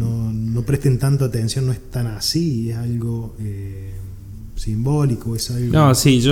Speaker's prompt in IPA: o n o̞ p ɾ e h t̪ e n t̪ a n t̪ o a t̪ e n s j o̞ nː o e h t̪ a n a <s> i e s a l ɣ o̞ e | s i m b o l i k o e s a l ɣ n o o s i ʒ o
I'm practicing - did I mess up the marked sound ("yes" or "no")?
no